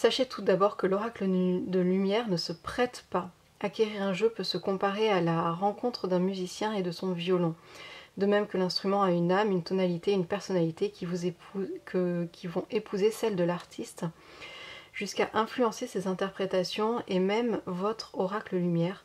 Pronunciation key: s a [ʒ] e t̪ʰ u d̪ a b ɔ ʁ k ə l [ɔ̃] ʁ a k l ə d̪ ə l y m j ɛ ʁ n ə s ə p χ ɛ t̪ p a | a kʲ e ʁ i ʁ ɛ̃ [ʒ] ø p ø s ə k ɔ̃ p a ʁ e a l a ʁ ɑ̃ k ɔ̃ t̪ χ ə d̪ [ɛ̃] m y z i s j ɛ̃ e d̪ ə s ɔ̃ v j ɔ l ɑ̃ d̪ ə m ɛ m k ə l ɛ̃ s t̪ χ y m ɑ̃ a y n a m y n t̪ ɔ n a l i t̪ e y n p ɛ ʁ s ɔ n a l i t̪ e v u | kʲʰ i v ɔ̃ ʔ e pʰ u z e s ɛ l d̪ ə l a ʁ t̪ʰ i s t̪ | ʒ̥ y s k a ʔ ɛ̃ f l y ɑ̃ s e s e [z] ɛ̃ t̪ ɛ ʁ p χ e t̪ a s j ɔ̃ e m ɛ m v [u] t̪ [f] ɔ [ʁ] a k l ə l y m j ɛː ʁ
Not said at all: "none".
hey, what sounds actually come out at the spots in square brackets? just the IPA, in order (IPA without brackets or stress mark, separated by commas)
ʃ, ɔ, ʒ, ɛ̃, z, ɔ, χ, ʁ